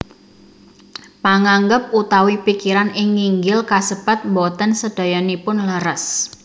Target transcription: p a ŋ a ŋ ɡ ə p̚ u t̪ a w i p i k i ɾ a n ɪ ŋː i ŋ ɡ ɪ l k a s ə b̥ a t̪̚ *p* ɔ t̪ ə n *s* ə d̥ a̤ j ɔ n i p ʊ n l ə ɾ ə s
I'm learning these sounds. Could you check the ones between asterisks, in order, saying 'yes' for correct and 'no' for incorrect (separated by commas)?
no, yes